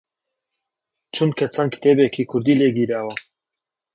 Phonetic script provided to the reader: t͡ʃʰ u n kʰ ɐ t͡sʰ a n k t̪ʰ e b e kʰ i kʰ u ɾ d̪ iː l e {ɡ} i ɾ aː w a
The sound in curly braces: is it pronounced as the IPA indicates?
yes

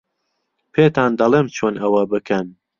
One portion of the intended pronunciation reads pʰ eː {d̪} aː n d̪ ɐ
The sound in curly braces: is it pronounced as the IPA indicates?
no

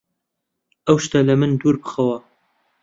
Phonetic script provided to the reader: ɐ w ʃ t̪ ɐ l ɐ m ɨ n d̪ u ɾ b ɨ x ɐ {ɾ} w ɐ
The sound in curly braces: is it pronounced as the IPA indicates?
no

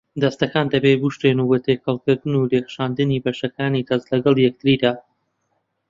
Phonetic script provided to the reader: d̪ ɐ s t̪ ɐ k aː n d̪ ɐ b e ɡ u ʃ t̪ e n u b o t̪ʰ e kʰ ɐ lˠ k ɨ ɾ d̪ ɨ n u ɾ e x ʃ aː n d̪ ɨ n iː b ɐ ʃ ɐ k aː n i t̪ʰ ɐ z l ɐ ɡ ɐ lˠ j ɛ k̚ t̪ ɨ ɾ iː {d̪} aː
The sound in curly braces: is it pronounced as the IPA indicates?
yes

